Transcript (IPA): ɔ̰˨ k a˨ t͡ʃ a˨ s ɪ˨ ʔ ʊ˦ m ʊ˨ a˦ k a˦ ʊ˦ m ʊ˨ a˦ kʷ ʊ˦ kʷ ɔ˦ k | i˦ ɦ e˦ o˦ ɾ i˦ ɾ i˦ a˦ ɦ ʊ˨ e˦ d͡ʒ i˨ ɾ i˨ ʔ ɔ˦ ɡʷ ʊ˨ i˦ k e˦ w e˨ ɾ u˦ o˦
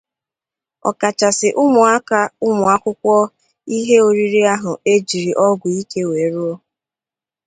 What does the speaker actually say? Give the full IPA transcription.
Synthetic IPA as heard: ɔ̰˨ k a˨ t͡ʃ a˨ s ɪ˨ ʔ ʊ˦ m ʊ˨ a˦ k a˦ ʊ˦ m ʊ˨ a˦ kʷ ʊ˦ kʷ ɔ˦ | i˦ ɦ e˦ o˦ ɾ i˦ ɾ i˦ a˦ ɦ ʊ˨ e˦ d͡ʒ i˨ ɾ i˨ ʔ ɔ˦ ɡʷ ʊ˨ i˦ k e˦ w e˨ ɾ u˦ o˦

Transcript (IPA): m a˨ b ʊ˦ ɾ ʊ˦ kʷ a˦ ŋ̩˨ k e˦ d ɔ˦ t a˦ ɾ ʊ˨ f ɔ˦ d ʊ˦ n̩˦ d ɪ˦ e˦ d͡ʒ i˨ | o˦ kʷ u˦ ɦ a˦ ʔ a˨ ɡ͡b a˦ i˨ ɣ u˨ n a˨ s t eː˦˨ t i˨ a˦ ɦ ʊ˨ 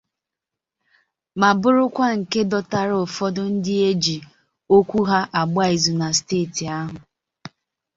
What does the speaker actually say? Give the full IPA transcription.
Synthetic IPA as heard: m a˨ b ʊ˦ ɾ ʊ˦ kʷ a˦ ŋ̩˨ k e˦ d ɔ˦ t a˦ ɾ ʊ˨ f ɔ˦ d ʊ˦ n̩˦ d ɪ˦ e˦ d͡ʒ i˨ | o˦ kʷ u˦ ɦ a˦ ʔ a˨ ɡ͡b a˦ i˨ z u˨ n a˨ s t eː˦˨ t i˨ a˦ ɦ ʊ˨

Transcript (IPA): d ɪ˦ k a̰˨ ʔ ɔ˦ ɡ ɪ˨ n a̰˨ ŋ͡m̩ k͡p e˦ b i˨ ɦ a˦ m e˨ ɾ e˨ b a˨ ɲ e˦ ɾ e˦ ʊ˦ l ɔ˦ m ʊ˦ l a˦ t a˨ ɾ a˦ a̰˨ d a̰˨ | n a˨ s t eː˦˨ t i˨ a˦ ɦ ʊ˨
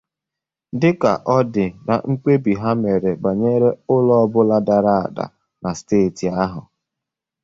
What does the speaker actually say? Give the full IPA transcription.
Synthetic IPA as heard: d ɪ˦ k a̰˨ ʔ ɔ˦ d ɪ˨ n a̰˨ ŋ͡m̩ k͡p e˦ b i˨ ɦ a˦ m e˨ ɾ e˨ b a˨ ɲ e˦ ɾ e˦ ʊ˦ l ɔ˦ b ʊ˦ l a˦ d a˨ ɾ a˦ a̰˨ d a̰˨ | n a˨ s t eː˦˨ t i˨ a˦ ɦ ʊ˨

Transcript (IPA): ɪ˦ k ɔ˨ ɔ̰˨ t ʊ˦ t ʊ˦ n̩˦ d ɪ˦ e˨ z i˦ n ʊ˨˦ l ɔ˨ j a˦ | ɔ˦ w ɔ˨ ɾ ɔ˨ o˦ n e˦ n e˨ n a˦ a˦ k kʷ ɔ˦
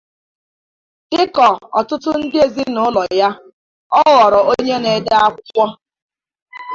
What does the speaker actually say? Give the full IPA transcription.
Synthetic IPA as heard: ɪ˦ k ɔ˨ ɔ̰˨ t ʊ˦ t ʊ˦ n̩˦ d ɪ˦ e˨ z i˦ n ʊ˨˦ l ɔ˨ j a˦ | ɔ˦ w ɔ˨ ɾ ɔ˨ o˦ ɲ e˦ n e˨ d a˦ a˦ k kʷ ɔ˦

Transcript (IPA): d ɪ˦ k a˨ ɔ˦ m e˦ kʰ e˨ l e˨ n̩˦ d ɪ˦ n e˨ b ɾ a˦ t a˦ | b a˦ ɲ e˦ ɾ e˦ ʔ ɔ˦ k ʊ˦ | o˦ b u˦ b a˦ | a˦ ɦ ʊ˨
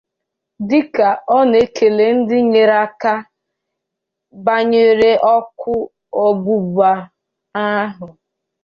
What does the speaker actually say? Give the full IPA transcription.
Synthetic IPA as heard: d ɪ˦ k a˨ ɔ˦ n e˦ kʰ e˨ l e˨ n̩˦ d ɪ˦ ɲ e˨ ɾ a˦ k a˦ | b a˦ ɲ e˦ ɾ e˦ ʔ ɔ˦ k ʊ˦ | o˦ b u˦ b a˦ | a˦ ɦ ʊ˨

